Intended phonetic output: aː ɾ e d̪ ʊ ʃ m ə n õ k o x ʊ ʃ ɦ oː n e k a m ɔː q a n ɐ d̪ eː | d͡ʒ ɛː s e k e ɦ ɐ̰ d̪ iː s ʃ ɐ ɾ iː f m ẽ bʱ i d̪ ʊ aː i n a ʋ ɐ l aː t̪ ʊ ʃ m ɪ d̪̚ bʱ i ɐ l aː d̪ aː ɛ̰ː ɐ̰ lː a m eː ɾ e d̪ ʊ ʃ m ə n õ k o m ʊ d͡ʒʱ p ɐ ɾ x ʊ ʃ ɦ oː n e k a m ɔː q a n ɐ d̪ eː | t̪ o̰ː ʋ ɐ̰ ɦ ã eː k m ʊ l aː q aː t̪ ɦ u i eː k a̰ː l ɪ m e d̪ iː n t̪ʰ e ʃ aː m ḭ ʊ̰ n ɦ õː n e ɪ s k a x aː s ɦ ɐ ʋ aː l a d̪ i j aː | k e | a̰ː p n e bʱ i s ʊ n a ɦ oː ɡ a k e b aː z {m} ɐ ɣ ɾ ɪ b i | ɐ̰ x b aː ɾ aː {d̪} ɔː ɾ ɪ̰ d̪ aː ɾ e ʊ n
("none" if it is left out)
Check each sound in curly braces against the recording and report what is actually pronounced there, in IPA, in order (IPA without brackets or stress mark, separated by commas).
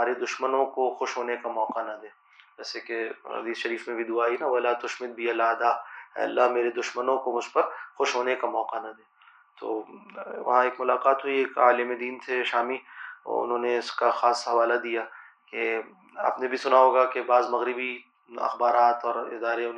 m, t̪